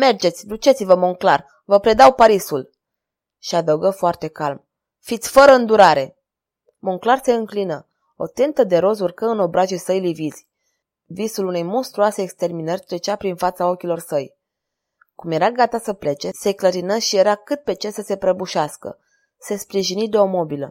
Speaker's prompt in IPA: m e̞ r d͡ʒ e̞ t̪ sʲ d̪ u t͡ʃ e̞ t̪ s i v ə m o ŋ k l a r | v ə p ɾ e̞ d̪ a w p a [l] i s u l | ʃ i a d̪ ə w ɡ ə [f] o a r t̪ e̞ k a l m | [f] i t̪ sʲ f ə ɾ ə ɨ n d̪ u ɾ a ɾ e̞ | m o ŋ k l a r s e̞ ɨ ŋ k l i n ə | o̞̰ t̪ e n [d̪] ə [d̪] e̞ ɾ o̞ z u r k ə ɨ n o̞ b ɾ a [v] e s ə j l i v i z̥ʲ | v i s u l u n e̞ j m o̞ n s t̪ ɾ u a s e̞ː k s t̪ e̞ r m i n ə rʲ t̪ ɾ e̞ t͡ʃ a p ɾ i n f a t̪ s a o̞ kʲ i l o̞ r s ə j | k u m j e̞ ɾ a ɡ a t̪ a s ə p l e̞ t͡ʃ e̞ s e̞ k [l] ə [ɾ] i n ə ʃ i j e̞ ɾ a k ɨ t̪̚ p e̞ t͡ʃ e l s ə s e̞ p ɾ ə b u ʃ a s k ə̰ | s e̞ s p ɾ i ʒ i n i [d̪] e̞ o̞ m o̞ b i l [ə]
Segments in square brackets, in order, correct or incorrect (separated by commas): incorrect, correct, correct, incorrect, correct, incorrect, correct, correct, correct, correct